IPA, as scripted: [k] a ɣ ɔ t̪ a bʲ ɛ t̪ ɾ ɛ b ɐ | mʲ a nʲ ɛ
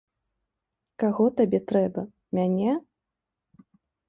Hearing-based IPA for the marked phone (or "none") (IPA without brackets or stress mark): k